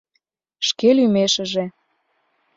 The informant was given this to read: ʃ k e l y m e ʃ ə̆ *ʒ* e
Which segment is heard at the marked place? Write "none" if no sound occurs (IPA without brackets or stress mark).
ʒ